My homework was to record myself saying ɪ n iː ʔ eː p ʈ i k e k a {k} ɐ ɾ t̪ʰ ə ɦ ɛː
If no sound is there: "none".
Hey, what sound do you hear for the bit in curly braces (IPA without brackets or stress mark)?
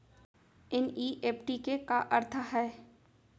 ʔ